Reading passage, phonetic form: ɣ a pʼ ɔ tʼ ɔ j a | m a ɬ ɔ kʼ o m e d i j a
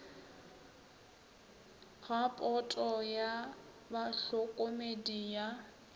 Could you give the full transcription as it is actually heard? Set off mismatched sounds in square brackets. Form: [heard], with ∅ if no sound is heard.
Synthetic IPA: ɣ a pʼ ɔ tʼ ɔ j a | [b] a ɬ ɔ kʼ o m e d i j a